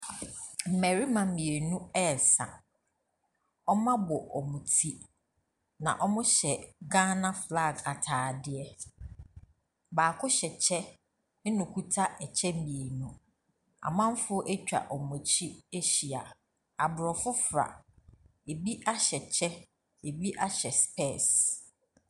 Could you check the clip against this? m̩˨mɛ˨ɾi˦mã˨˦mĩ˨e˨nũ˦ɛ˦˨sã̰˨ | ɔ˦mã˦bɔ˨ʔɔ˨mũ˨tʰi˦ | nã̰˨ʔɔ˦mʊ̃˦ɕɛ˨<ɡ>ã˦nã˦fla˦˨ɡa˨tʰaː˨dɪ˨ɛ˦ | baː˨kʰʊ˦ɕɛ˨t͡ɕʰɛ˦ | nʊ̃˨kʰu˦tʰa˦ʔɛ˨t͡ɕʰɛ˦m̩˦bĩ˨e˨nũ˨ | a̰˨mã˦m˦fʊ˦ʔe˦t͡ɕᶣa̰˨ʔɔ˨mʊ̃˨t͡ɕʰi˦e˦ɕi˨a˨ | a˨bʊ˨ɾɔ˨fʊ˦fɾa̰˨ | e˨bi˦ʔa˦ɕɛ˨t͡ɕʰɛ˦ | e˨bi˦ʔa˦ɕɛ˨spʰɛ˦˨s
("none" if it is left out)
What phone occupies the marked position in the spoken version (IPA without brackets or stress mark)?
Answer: ɡ